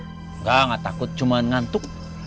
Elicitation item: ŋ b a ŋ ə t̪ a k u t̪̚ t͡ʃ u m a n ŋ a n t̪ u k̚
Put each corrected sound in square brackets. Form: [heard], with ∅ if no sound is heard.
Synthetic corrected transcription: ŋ [ɡ] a ŋ [a] t̪ a k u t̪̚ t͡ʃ u m a n ŋ a n t̪ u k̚